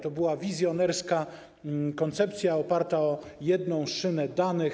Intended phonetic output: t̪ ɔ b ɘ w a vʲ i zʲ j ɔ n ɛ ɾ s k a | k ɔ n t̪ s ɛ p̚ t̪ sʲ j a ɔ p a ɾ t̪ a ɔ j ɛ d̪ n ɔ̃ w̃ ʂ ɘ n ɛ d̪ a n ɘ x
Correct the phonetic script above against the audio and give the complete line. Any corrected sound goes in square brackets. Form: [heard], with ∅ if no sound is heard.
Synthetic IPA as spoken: t̪ ɔ b ɘ w a vʲ i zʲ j ɔ n ɛ ɾ s k a | k ɔ n t̪ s ɛ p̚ t̪ sʲ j a ɔ p a ɾ t̪ a ɔ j ɛ d̪ n ɔ̃ w̃ ʂ ɘ n ɛ d̪ a n ɘ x